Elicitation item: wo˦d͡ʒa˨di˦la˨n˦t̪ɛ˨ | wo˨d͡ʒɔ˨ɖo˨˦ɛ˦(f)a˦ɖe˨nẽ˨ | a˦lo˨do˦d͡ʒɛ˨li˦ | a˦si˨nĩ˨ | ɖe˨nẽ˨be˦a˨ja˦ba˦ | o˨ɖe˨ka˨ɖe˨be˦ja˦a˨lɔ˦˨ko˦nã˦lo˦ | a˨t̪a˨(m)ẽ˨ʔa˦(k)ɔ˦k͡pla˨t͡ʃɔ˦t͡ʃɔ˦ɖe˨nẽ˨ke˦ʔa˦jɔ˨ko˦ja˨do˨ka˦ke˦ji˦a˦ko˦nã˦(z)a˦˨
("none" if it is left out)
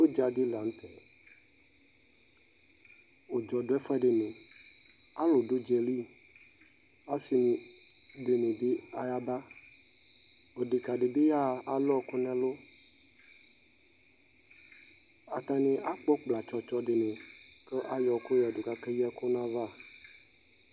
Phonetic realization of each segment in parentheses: f, n, k͡p, v

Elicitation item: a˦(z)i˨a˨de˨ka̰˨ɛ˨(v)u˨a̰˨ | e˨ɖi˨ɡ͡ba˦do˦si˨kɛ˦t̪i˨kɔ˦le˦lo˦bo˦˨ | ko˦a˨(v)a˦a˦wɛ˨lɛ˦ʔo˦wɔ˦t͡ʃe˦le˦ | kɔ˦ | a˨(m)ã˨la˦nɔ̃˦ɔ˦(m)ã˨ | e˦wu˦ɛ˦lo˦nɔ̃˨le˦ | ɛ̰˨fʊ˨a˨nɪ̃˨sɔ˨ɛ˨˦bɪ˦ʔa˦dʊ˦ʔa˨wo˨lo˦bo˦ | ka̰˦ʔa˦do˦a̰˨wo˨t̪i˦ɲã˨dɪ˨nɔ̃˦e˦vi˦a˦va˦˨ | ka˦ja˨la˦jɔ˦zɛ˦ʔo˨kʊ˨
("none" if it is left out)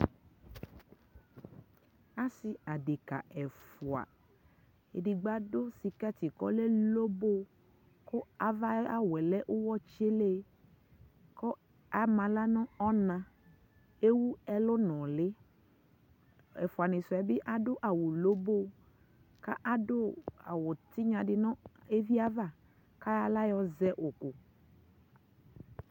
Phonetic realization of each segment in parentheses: s, f, v, m, n

